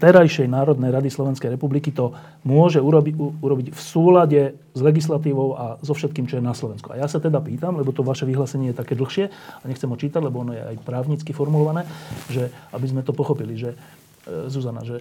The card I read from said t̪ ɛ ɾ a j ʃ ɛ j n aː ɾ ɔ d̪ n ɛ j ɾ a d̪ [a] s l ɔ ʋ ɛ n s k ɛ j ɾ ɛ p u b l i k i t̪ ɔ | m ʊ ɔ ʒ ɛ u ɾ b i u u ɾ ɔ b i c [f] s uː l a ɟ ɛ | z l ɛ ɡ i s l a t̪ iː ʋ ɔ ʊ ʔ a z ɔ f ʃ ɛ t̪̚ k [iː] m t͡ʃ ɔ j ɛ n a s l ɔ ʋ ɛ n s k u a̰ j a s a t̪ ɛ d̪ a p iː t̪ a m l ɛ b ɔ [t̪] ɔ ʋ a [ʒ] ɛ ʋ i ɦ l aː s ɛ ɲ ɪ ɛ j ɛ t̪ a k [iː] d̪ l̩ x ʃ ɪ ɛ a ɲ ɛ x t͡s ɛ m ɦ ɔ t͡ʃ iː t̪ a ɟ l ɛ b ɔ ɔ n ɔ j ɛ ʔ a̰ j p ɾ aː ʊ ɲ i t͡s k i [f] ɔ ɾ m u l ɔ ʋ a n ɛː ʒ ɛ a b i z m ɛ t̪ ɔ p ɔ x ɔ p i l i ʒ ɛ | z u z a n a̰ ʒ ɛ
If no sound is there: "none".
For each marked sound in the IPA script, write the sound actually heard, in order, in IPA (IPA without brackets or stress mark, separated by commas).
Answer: i, f, iː, t̪, ʃ, ɛː, f